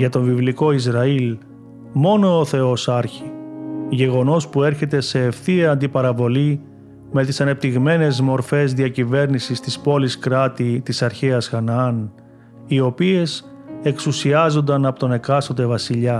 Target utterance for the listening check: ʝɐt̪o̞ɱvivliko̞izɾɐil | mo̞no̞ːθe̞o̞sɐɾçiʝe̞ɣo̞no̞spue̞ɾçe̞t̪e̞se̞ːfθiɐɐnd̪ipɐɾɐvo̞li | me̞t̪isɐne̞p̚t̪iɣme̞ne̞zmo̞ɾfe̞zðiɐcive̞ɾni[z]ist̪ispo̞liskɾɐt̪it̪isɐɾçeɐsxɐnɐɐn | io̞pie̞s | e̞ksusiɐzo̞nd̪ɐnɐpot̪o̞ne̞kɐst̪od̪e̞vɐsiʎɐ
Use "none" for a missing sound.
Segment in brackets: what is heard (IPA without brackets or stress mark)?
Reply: s